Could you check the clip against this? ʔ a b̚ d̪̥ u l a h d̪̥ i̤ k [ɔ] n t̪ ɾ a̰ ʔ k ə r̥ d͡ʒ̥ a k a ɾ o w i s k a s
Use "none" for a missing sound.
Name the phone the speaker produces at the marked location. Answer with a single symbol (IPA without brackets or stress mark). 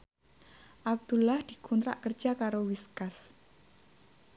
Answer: u